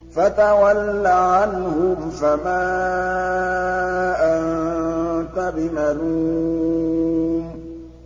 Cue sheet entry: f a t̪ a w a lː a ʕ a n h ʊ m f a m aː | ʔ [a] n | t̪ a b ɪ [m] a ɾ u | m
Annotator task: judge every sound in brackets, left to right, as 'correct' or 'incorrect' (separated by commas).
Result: correct, correct